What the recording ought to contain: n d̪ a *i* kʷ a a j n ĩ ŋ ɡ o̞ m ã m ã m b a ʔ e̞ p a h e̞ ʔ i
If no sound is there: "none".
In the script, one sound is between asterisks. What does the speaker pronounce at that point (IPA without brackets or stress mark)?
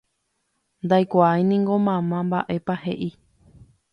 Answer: j